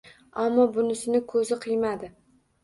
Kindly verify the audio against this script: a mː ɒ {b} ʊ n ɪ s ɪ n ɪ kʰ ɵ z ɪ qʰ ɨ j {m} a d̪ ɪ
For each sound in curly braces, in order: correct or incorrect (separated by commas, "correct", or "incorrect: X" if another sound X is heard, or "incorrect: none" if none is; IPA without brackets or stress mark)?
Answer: correct, correct